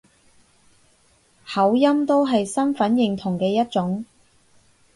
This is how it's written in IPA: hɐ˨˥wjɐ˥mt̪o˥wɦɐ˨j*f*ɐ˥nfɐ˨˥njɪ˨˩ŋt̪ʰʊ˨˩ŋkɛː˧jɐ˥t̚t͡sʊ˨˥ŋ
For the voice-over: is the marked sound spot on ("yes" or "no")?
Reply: no